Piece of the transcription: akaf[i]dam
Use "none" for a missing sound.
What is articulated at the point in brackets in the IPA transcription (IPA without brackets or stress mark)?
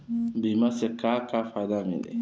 a